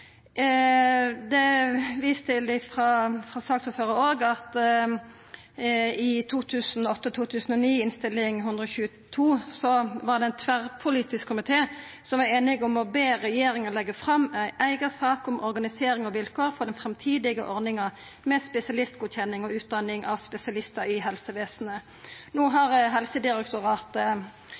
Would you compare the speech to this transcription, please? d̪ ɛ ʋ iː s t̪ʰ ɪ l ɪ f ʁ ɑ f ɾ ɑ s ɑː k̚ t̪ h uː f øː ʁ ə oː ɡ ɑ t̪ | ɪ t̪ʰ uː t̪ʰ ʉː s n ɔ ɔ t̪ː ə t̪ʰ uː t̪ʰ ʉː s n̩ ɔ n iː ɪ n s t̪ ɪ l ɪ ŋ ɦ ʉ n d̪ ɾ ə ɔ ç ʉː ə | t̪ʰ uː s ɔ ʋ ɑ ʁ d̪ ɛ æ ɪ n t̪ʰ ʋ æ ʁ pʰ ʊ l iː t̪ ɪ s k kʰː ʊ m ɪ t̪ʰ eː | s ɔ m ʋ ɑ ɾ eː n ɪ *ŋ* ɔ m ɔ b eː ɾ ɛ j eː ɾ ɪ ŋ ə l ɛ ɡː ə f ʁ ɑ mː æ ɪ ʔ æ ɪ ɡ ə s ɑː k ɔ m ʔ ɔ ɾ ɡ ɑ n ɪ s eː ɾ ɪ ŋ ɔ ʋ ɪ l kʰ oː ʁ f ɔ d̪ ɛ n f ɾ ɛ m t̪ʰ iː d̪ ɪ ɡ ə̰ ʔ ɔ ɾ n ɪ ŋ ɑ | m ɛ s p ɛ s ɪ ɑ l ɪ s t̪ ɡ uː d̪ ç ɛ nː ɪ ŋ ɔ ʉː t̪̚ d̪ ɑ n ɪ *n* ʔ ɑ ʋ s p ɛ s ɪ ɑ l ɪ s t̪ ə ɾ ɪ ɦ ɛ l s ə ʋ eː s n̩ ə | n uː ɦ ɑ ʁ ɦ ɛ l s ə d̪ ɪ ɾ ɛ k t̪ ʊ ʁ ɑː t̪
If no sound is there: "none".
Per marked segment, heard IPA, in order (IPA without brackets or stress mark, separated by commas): ɡ, ŋ